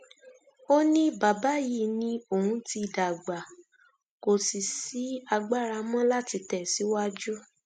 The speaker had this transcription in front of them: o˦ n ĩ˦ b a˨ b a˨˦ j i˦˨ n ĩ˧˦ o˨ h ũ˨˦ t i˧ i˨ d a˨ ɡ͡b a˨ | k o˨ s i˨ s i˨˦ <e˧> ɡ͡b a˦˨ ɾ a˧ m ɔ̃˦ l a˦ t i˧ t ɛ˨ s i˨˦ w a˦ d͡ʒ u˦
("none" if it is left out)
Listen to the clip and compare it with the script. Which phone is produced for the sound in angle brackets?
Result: a˧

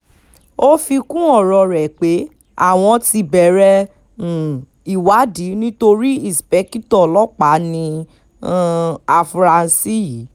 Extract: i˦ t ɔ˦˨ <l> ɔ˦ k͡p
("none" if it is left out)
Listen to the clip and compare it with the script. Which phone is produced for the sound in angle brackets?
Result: l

